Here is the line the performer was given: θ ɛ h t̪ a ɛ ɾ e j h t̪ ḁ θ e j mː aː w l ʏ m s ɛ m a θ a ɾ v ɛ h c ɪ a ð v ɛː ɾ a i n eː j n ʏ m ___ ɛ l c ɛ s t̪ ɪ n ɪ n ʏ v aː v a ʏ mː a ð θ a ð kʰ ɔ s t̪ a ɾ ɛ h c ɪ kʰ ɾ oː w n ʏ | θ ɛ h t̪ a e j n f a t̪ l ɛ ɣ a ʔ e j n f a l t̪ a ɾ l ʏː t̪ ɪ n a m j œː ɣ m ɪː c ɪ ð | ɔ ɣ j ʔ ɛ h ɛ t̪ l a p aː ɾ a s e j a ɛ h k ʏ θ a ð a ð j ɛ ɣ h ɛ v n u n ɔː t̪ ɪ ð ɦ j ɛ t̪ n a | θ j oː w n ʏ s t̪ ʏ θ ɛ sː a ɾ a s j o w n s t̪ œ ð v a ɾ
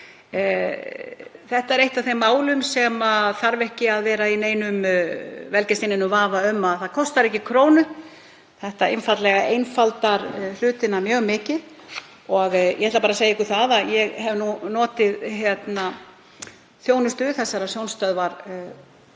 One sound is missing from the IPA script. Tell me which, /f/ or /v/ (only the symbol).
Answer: v